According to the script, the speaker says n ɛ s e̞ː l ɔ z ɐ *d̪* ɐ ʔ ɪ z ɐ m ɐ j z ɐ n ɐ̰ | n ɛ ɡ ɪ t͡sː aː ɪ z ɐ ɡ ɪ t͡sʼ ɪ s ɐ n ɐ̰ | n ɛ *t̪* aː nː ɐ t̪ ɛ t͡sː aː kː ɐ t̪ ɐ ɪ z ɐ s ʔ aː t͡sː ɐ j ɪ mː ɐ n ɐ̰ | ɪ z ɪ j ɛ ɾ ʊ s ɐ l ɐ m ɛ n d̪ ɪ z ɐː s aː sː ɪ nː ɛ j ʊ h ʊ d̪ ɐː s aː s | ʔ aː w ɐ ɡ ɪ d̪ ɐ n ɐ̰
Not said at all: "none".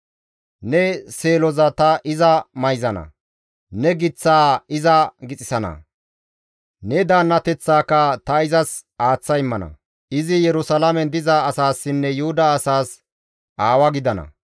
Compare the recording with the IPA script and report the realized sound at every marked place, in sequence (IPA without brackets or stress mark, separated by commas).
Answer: t̪, d̪